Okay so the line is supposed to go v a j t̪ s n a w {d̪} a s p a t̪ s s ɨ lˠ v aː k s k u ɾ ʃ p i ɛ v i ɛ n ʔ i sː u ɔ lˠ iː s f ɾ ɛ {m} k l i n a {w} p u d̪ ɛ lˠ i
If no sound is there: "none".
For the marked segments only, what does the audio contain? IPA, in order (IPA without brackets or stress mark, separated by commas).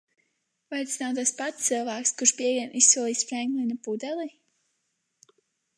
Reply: t̪, ŋ, none